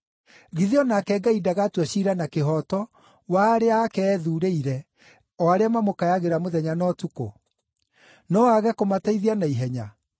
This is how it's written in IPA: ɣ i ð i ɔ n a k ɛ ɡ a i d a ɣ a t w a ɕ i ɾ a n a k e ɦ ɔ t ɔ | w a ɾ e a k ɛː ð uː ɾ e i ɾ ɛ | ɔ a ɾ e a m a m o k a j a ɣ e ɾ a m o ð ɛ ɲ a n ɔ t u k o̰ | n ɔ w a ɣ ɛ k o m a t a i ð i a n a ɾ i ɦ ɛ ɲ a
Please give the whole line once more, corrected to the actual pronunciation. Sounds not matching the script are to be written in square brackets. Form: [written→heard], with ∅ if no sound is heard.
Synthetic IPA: ɣ i ð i ɔ n a k ɛ ɡ a i d a ɣ a t w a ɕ i ɾ a n a k e ɦ ɔ t ɔ | w a ɾ e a k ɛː ð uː ɾ e i ɾ ɛ | ɔ a ɾ e a m a m o k a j a ɣ e ɾ a m o ð ɛ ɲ a n ɔ t u k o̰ | n ɔ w a ɣ ɛ k o m a t a i ð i a n a [ɾ→∅] i ɦ ɛ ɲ a

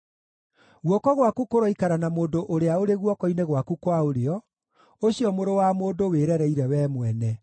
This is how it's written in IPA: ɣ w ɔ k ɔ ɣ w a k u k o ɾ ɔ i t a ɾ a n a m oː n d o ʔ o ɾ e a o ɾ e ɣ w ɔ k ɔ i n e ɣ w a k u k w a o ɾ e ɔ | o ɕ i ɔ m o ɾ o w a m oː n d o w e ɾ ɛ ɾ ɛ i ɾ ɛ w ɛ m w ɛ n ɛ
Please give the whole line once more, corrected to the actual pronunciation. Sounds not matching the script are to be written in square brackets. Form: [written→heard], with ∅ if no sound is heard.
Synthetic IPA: ɣ w ɔ k ɔ ɣ w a k u k o ɾ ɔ i [t→k] a ɾ a n a m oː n d o ʔ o ɾ e a o ɾ e ɣ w ɔ k ɔ i n e ɣ w a k u k w a o ɾ e ɔ | o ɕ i ɔ m o ɾ o w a m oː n d o w e ɾ ɛ ɾ ɛ i ɾ ɛ w ɛ m w ɛ n ɛ

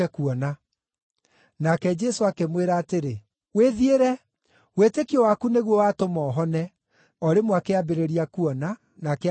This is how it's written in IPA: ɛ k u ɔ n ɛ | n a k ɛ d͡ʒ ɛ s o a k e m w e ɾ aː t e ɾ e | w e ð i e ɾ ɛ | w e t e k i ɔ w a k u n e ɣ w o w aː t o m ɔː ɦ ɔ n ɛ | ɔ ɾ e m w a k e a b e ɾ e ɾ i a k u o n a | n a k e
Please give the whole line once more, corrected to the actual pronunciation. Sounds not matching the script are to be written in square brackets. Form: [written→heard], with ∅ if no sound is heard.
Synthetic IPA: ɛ k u ɔ n [ɛ→a] | n a k ɛ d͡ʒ ɛ s o a k e m w e ɾ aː t e ɾ e | w e ð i e ɾ ɛ | w e t e k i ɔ w a k u n e ɣ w [o→ɔ] w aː t o m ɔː ɦ ɔ n ɛ | ɔ ɾ e m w a k e a b e ɾ e ɾ i a k u [o→ɔ] n a | n a k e

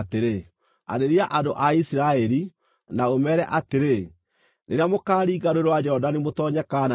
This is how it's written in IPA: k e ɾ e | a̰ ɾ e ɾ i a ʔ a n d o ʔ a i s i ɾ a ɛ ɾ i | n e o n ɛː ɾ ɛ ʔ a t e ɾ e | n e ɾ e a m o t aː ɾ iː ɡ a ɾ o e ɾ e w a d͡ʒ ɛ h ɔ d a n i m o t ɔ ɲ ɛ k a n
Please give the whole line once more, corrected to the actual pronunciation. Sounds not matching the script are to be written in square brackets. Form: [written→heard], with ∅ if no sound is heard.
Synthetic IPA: [k→t] e ɾ e | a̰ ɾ e ɾ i a ʔ a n d o ʔ a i s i ɾ a ɛ ɾ i | n [e→a] o [n→m] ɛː ɾ ɛ ʔ a t e ɾ e | n e ɾ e a m o [t→k] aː ɾ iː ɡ a ɾ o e ɾ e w a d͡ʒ ɛ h ɔ d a n [i→e] m o t ɔ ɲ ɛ k a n

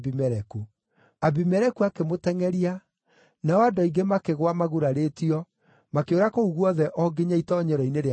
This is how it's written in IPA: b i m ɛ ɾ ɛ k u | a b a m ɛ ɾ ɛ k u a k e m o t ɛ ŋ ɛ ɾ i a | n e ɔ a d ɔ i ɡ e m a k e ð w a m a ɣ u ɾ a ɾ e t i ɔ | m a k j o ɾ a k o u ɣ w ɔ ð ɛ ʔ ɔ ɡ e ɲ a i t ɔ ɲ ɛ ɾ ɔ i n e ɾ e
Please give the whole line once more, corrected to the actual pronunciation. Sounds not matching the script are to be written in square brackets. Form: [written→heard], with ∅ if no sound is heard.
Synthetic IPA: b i m ɛ ɾ ɛ k u | a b [a→i] m ɛ ɾ ɛ k u a k e m o t ɛ ŋ ɛ ɾ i a | n [e→a] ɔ a d ɔ i ɡ e m a k e [ð→ɣ] w a m a ɣ u ɾ a ɾ e t i ɔ | m a k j o ɾ a k o u ɣ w ɔ ð ɛ ʔ ɔ ɡ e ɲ a i t ɔ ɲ ɛ ɾ ɔ i n e ɾ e

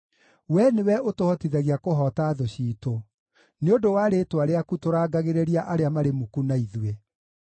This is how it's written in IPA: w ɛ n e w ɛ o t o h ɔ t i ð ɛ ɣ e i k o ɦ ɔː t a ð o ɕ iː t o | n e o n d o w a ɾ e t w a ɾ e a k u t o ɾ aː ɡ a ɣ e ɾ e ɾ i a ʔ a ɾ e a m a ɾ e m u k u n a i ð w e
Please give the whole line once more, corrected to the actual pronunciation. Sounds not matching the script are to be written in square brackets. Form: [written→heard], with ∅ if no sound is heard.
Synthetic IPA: w ɛ n e w ɛ o t o h ɔ t i ð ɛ ɣ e [i→a] k o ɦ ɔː t a ð o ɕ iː t o | n e o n d o w a ɾ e t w a ɾ e a k u t o ɾ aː ɡ a ɣ e ɾ e ɾ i a ʔ a ɾ e a m a ɾ e m u k u n a i ð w e

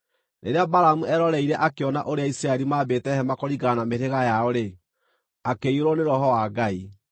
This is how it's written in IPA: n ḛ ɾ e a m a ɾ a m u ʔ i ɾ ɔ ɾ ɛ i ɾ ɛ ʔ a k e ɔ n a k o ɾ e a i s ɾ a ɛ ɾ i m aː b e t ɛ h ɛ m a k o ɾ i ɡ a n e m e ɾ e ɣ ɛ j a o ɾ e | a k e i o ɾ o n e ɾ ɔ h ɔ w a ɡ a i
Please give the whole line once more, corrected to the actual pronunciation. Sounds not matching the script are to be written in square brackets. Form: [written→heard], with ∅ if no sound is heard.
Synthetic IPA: n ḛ ɾ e a [m→b] a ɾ a m u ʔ [i→ɛ] ɾ ɔ ɾ ɛ i ɾ ɛ ʔ a k e ɔ n a [k→ʔ] o ɾ e a i s ɾ a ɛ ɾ i m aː b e t ɛ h ɛ m a k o ɾ i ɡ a n [e→a] m e ɾ e ɣ [ɛ→a] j a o ɾ e | a k e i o ɾ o n e ɾ ɔ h ɔ w a ɡ a i

